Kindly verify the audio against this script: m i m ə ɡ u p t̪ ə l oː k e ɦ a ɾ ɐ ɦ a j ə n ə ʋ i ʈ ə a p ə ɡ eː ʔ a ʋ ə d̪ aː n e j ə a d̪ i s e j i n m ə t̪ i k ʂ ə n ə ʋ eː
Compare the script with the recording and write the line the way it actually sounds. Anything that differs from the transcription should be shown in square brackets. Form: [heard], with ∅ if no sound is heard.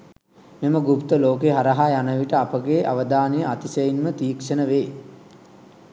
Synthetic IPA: m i m ə ɡ u p t̪ ə l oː k e ɦ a ɾ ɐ ɦ a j [a] n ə ʋ i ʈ ə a p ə ɡ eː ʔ a ʋ ə d̪ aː n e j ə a [t̪] i s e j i n m ə t̪ [iː] k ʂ ə n ə ʋ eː